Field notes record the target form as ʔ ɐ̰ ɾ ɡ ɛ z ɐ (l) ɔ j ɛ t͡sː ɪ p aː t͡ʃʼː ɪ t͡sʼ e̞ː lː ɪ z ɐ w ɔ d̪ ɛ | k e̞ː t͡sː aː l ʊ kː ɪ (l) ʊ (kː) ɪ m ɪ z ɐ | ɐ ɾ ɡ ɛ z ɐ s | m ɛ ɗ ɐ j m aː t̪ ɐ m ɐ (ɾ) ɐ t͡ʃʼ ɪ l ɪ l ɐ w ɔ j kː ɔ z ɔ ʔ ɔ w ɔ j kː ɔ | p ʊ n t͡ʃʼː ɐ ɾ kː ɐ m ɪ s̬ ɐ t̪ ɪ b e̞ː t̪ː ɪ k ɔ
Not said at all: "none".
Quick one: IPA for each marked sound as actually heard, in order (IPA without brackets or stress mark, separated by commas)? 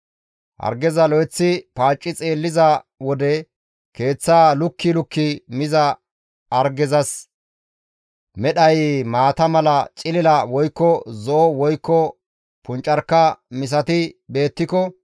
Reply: l, l, kː, l